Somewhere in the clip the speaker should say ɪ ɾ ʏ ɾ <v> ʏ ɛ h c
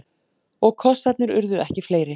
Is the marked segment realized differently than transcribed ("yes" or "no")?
yes